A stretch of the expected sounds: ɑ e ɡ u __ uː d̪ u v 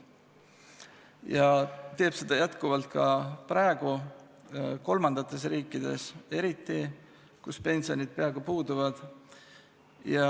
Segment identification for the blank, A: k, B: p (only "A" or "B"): B